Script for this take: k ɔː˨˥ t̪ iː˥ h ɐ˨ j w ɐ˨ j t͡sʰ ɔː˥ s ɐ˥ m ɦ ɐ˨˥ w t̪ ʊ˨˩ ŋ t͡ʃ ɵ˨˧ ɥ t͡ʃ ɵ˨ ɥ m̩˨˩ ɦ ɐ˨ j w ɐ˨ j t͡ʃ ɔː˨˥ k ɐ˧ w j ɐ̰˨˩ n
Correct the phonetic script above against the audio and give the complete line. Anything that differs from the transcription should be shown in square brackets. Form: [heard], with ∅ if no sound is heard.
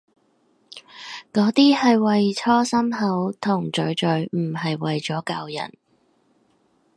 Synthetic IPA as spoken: k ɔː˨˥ t̪ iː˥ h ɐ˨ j w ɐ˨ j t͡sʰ ɔː˥ s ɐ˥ m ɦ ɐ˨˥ w [t̪ʰ] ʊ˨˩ ŋ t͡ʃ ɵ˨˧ ɥ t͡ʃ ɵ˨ ɥ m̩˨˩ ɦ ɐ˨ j w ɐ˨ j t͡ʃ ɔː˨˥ k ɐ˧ w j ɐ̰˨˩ n